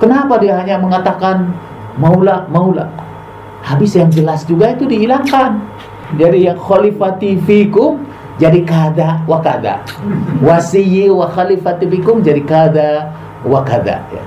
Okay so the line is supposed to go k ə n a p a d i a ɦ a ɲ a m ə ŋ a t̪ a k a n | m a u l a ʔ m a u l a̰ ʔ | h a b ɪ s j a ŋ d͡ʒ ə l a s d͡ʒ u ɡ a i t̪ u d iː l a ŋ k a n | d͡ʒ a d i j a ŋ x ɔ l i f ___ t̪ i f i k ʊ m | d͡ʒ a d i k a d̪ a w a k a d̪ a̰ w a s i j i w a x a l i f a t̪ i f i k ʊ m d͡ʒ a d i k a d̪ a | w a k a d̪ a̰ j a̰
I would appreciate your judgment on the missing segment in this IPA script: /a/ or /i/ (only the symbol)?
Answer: a